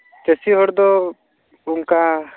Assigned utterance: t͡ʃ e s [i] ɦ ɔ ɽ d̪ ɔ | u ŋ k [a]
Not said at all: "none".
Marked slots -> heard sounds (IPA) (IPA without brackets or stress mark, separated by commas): i, a